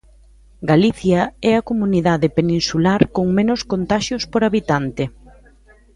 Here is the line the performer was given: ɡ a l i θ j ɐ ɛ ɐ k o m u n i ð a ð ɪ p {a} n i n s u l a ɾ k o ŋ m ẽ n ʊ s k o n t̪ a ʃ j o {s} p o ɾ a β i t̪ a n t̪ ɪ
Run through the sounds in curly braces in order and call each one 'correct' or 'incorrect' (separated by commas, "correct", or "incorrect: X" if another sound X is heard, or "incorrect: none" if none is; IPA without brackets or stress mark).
incorrect: e, correct